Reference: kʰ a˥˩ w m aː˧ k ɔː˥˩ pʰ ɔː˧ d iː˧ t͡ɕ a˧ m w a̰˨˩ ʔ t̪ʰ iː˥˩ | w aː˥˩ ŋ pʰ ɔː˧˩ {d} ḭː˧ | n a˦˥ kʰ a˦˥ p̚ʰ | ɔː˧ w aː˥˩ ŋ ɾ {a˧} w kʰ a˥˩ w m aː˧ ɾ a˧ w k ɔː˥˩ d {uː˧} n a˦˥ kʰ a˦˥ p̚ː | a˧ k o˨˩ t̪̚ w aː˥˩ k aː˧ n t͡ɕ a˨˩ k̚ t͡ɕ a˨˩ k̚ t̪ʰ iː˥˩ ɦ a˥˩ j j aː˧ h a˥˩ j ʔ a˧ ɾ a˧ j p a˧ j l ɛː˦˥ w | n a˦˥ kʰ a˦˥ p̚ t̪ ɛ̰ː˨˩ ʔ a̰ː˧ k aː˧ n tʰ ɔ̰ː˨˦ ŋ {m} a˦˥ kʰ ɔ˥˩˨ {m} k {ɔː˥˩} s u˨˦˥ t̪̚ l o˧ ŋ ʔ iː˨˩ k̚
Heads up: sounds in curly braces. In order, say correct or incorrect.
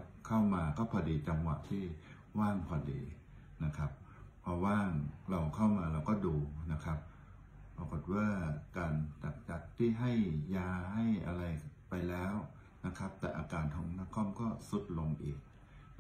correct, correct, correct, incorrect, correct, correct

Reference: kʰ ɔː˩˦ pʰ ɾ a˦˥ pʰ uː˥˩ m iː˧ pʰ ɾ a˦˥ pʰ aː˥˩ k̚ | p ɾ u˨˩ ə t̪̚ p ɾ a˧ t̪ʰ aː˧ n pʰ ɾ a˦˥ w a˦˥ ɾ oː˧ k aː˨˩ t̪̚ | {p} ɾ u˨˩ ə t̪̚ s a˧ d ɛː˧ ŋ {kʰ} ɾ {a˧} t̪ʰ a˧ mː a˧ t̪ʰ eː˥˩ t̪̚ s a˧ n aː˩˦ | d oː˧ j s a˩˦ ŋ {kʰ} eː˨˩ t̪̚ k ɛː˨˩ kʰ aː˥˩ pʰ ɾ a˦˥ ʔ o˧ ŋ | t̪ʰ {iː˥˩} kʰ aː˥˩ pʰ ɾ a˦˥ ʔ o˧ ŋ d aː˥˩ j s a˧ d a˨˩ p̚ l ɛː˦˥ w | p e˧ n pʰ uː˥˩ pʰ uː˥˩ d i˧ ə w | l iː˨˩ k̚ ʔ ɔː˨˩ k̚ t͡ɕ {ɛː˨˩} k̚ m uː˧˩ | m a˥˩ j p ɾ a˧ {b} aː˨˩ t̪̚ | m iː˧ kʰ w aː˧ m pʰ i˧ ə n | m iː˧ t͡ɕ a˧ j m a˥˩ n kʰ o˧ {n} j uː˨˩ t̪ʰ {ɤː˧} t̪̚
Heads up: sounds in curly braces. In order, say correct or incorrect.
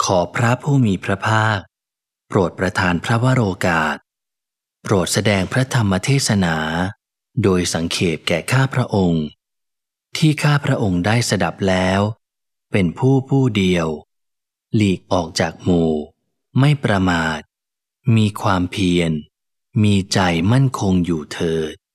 correct, incorrect, incorrect, correct, correct, incorrect, incorrect, incorrect, incorrect

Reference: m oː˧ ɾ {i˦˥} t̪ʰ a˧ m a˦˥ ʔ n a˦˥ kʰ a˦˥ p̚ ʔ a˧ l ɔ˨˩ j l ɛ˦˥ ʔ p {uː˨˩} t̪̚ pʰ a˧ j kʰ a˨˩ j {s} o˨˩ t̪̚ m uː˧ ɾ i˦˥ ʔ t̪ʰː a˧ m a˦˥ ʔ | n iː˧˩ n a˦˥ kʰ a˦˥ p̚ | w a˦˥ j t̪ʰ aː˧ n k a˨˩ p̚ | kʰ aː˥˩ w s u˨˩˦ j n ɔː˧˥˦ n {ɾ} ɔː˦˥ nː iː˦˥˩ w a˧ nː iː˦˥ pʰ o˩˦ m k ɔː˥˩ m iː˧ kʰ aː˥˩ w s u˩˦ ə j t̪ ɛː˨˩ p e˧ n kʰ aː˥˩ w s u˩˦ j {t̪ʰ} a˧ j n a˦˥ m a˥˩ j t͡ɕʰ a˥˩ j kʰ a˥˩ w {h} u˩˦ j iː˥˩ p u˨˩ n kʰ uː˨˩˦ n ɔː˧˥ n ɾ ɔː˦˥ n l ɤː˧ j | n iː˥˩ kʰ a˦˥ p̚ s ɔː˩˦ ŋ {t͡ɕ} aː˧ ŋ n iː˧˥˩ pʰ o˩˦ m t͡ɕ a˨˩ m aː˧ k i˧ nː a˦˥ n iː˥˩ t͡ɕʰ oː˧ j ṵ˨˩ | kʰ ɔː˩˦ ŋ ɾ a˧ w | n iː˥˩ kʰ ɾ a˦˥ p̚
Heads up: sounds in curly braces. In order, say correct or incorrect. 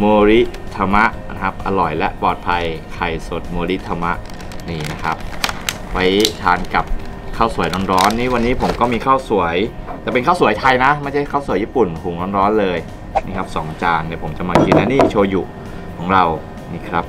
correct, incorrect, correct, correct, correct, incorrect, correct

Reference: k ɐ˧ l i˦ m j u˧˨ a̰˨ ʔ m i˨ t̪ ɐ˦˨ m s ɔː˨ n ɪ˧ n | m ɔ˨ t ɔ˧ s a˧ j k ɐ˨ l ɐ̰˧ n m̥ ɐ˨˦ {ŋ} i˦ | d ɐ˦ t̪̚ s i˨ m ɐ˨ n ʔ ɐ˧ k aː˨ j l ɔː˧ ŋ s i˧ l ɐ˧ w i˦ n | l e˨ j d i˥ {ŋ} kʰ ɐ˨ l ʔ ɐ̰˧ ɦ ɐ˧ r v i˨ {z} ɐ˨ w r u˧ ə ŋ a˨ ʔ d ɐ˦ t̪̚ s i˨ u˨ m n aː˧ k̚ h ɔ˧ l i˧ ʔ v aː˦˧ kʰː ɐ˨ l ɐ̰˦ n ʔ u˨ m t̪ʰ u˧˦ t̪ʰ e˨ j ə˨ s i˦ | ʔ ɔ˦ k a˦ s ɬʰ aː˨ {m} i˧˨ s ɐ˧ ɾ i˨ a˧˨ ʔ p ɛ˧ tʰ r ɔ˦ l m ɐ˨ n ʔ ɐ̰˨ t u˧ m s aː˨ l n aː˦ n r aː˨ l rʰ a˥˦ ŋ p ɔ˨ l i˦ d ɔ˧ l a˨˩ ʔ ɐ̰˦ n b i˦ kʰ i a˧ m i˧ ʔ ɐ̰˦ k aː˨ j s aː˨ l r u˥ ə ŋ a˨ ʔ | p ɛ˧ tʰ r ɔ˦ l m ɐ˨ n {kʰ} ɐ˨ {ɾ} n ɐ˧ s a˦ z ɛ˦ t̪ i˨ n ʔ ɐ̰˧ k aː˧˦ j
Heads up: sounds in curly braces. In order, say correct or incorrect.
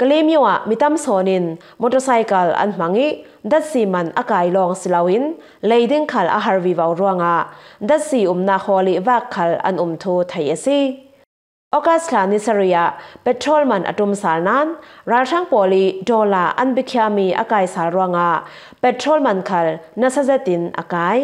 correct, correct, incorrect, incorrect, correct, incorrect

